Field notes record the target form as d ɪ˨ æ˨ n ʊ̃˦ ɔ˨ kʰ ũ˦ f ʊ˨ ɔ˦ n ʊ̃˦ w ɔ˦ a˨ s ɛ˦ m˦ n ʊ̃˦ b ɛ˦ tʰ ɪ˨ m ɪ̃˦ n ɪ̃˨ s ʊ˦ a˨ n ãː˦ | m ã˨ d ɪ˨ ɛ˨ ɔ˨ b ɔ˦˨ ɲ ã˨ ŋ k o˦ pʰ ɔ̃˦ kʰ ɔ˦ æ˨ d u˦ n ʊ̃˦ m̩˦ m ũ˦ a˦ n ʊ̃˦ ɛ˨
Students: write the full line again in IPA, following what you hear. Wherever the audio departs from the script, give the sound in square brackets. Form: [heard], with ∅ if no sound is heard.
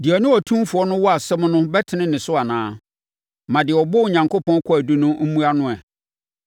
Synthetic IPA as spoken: d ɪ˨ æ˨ n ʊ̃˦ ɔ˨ [tʰ] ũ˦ f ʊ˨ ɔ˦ n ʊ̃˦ w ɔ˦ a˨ s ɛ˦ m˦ n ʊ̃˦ b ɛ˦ tʰ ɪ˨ [n] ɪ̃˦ n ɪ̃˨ s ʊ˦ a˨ n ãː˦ | m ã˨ d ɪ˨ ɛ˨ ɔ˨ b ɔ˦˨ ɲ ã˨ ŋ k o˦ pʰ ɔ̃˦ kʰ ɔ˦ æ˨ d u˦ n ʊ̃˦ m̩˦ m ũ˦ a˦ n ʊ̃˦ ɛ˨